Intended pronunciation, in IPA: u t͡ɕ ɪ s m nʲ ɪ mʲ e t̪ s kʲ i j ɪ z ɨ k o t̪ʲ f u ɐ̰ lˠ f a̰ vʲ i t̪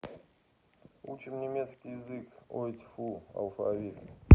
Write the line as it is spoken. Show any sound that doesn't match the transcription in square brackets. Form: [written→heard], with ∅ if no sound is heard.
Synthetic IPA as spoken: u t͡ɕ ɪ [s→∅] m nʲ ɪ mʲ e t̪ s kʲ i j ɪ z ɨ k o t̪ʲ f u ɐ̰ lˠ f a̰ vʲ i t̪